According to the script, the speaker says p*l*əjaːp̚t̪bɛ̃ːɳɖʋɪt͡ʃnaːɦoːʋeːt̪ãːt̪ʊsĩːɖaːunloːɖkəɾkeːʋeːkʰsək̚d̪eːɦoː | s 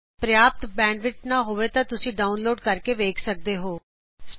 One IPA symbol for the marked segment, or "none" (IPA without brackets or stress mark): ɾ